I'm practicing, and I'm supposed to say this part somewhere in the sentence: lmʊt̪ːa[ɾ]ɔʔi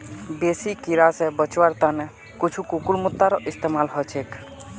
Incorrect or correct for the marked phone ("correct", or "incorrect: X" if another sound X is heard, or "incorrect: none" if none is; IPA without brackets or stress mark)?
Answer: correct